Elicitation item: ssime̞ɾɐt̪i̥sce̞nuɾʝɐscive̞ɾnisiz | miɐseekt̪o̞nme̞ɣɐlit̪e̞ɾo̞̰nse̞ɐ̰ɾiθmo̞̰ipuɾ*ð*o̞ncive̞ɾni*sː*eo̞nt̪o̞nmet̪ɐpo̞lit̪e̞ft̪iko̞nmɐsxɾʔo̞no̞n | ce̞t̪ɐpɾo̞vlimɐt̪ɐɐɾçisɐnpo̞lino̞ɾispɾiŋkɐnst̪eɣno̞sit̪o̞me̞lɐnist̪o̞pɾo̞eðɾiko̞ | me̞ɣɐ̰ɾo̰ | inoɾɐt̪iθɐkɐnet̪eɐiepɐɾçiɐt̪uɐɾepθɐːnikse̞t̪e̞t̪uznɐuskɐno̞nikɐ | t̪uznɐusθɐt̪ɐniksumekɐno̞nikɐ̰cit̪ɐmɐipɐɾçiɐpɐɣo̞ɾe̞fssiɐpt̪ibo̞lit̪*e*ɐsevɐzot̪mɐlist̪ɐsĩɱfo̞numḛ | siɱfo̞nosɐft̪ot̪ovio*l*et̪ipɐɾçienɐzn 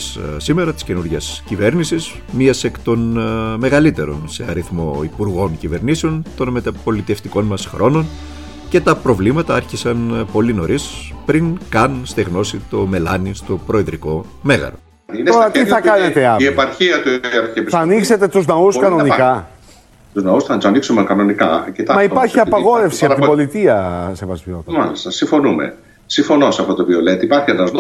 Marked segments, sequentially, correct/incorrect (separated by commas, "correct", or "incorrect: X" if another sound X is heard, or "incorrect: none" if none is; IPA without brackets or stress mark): incorrect: ɣ, incorrect: s, incorrect: i, correct